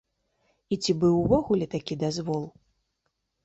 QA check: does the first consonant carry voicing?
no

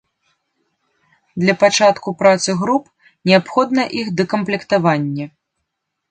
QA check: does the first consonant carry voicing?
yes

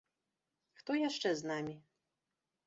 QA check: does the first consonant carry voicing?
no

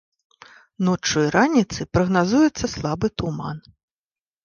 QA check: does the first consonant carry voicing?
yes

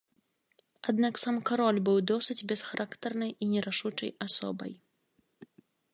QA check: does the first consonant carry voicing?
yes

